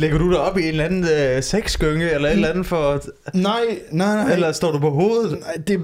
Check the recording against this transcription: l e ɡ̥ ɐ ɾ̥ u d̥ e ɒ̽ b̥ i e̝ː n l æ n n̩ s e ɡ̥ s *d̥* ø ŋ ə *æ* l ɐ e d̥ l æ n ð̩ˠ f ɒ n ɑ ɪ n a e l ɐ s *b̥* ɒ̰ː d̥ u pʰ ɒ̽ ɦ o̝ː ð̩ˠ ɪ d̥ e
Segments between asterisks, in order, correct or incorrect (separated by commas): incorrect, incorrect, incorrect